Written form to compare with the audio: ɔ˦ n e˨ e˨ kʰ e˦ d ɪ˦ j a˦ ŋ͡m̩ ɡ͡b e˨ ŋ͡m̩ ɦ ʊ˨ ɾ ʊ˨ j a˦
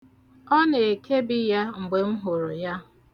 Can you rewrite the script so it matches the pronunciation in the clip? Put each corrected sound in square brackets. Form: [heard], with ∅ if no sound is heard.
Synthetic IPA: ɔ˦ n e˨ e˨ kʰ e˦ [b] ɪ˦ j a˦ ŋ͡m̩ ɡ͡b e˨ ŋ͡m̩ ɦ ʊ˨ ɾ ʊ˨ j a˦